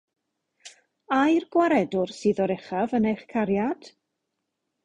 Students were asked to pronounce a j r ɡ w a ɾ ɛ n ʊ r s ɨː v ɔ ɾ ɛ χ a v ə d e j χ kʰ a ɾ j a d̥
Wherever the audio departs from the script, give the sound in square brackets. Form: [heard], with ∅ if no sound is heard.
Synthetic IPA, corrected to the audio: a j r ɡ w a ɾ ɛ [d] ʊ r s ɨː [ð] ɔ ɾ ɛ χ a v ə [n] e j χ kʰ a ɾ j a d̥